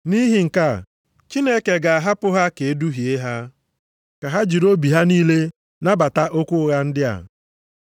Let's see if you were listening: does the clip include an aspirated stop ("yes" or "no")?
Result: no